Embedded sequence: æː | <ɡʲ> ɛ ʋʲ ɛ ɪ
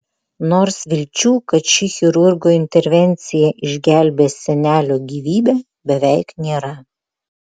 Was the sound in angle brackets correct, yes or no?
no